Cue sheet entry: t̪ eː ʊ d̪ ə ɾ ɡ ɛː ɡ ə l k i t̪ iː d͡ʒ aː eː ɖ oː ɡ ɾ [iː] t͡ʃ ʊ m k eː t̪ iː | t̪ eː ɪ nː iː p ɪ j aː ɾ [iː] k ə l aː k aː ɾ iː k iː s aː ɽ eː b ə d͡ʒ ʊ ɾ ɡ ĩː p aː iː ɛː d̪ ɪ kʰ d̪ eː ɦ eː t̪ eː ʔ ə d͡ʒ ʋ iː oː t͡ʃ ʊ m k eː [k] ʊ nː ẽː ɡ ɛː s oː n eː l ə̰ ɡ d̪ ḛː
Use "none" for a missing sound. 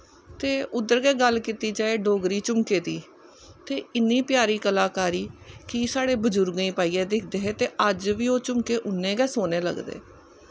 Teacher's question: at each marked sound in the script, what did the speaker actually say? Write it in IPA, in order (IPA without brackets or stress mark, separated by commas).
iː, iː, ʔ